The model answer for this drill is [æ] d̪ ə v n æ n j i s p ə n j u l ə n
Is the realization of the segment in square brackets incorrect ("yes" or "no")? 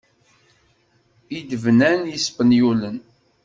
yes